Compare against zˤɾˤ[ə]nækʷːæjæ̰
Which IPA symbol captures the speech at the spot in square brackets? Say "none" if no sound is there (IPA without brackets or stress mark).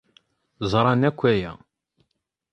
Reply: ɑ